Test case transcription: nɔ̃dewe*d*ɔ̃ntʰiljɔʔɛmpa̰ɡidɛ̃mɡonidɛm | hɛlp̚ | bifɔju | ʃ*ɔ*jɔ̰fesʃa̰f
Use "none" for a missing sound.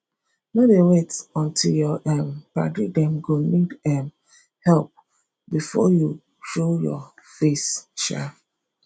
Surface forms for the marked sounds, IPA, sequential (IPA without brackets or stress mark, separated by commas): t, o